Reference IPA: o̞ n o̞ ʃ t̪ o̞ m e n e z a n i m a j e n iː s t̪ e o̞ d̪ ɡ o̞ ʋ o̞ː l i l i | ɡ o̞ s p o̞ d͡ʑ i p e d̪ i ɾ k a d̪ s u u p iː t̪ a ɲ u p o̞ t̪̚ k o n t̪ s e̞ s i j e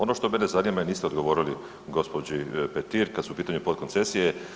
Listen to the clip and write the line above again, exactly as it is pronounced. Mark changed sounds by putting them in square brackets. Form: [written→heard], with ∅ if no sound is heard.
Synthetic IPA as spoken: o̞ n o̞ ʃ t̪ o̞ m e n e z a n i m a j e n iː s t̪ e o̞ d̪ ɡ o̞ ʋ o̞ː [l→ɾ] i l i | ɡ o̞ s p o̞ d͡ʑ i p e [d̪→t̪] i ɾ k a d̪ s u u p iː t̪ a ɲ u p o̞ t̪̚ k o n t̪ s e̞ s i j e

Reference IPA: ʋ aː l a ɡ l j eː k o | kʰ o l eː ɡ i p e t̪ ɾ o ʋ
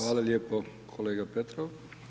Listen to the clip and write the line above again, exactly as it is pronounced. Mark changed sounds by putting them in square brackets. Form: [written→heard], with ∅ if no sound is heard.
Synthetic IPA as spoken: ʋ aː l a [ɡ→∅] l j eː [k→p] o | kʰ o l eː ɡ [i→a] p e t̪ ɾ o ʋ

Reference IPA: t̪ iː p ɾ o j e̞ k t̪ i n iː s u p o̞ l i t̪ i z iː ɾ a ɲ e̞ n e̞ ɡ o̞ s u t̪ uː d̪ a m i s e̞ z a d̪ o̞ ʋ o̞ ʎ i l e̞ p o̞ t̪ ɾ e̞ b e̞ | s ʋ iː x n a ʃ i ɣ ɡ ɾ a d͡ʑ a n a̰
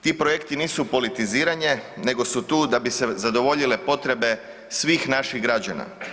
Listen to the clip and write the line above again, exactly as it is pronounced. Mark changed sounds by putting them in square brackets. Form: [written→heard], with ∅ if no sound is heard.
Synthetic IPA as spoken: t̪ iː p ɾ o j e̞ k t̪ i n iː s u p o̞ l i t̪ i z iː ɾ a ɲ e̞ n e̞ ɡ o̞ s u t̪ uː d̪ a [m→b] i s e̞ z a d̪ o̞ ʋ o̞ ʎ i l e̞ p o̞ t̪ ɾ e̞ b e̞ | s ʋ iː x n a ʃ i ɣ ɡ ɾ a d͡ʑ a n a̰

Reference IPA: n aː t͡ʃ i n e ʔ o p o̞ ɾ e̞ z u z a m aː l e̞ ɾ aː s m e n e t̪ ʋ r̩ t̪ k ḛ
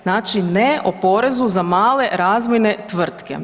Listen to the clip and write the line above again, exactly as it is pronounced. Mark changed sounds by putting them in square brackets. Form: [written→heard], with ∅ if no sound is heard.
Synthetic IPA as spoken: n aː t͡ʃ i n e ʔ o p o̞ ɾ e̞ z u z a m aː l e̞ ɾ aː [s→z] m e n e t̪ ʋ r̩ t̪ k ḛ

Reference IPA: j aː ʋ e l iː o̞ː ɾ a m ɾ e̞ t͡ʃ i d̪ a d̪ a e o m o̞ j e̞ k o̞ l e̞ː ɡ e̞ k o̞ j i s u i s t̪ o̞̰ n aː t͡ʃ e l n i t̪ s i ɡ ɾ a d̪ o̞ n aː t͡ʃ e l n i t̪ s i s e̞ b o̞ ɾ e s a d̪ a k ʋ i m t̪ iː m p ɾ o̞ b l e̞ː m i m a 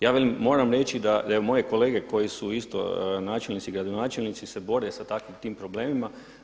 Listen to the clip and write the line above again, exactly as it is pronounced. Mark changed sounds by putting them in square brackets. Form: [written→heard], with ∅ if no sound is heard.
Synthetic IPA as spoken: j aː ʋ e l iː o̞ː ɾ a m ɾ e̞ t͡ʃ i d̪ a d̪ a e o m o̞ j e̞ k o̞ l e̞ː ɡ e̞ k o̞ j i s u i s t̪ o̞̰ n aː t͡ʃ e l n i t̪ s i ɡ ɾ a d̪ o̞ n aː t͡ʃ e l n i t̪ s i s e̞ b o̞ ɾ e s a [d̪→t̪] a k ʋ i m t̪ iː m p ɾ o̞ b l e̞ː m i m a

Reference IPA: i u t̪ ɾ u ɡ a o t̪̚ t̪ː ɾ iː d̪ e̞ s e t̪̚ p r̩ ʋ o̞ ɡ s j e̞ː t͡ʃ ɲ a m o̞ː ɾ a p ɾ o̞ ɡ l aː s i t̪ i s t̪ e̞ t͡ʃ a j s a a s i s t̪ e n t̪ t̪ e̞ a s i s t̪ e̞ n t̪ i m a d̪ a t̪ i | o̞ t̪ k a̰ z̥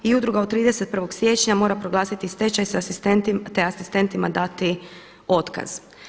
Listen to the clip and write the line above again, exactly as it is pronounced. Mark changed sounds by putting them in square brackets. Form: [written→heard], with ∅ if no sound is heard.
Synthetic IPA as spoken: i u [t̪→d̪] ɾ u ɡ a o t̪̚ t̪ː ɾ iː d̪ e̞ s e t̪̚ p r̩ ʋ o̞ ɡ s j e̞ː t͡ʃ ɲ a m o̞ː ɾ a p ɾ o̞ ɡ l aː s i t̪ i s t̪ e̞ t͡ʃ a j s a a s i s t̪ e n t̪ t̪ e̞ a s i s t̪ e̞ n t̪ i m a d̪ a t̪ i | o̞ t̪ k a̰ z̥

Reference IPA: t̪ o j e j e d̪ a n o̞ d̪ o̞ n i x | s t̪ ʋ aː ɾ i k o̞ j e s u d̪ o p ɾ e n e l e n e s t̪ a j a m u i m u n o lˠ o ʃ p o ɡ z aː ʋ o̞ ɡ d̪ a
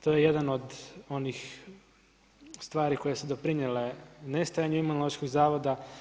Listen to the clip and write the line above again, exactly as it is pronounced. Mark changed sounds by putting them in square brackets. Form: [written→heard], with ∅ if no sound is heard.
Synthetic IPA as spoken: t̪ o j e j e d̪ a n o̞ d̪ o̞ n i x | s t̪ ʋ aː ɾ i k o̞ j e s u d̪ o p ɾ [e→i] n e l e n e s t̪ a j a [m→ɲ] u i m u n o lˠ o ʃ [p→k] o ɡ z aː ʋ o̞ [ɡ→∅] d̪ a

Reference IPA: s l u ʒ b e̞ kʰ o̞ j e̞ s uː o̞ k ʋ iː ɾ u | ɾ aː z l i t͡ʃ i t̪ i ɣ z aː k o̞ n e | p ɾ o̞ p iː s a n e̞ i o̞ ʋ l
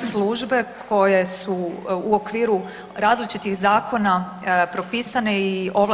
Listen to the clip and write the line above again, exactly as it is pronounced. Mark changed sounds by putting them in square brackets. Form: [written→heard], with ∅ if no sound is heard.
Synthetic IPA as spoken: s l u ʒ b e̞ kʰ o̞ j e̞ s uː o̞ k ʋ iː ɾ u | ɾ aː z l i t͡ʃ i t̪ i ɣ z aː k o̞ n [e→a] | p ɾ o̞ p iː s a n e̞ i o̞ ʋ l

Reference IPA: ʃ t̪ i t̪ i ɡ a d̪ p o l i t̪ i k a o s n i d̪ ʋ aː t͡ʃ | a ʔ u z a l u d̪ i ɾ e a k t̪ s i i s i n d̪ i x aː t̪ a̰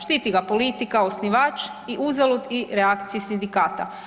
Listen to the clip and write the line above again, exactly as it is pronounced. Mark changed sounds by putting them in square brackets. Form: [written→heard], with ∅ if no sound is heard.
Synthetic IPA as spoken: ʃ t̪ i t̪ i ɡ a [d̪→∅] p o l i t̪ i k a o s n i [d̪→∅] ʋ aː t͡ʃ | [a→i] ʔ u z a l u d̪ i ɾ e a k t̪ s i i s i n d̪ i [x→k] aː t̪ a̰

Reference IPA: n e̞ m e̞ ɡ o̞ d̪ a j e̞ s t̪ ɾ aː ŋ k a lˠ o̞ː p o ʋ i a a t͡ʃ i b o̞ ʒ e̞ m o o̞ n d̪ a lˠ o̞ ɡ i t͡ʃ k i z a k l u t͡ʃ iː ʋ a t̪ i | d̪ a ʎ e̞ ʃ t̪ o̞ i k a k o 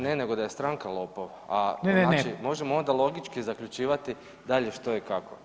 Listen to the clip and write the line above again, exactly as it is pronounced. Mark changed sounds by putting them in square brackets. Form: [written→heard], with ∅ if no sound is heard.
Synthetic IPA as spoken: n e̞ [m→n] e̞ ɡ o̞ d̪ a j e̞ s t̪ ɾ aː ŋ k a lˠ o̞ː p o ʋ [i→a] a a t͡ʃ i [b→m] o̞ ʒ e̞ m o o̞ n d̪ a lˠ o̞ ɡ i t͡ʃ k i z a k [l→ʎ] u t͡ʃ iː ʋ a t̪ i | d̪ a ʎ e̞ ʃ t̪ o̞ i k a k o

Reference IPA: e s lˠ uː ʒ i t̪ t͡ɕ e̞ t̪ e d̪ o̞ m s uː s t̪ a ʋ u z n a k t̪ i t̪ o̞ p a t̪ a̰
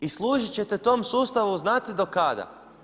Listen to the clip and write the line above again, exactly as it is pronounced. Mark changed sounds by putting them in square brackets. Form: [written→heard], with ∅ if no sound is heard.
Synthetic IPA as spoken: [e→i] s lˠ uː ʒ i [t̪→∅] t͡ɕ e̞ t̪ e [d̪→t̪] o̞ m s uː s t̪ a ʋ u z n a [k→∅] t̪ i [t̪→d̪] o̞ [p→k] a [t̪→d̪] a̰

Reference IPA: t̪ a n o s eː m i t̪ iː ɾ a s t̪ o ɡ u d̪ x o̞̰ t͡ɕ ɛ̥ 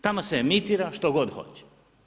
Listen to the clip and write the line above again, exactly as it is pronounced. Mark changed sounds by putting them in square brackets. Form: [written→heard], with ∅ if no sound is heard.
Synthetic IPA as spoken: t̪ a [n→m] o s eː m i t̪ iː ɾ a [s→ʃ] t̪ o ɡ [u→o] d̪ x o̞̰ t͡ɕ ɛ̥

